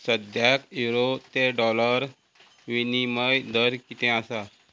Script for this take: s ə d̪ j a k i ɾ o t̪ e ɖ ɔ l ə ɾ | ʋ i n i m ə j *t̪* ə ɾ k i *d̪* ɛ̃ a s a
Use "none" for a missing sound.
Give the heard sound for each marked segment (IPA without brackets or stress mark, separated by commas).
d̪, t̪